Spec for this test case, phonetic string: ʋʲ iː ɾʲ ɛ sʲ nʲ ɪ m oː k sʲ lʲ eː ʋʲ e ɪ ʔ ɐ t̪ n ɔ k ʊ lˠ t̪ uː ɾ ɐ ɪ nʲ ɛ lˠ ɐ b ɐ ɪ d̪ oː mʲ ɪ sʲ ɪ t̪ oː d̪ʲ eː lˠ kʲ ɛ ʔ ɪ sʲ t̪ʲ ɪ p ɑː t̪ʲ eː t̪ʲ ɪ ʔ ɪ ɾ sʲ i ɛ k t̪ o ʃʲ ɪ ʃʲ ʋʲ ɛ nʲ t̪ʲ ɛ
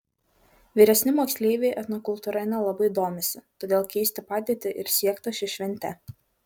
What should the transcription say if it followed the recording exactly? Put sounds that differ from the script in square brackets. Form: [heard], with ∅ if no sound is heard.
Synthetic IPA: ʋʲ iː ɾʲ ɛ sʲ nʲ ɪ m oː k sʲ lʲ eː ʋʲ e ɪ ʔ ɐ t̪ n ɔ k ʊ lˠ t̪ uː ɾ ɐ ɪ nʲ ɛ lˠ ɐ b ɐ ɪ d̪ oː mʲ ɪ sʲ ɪ t̪ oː d̪ʲ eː lˠ kʲ ɛ [∅] ɪ sʲ t̪ʲ ɪ p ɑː [d̪ʲ] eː t̪ʲ ɪ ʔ ɪ ɾ sʲ i ɛ k t̪ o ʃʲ ɪ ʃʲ ʋʲ ɛ nʲ t̪ʲ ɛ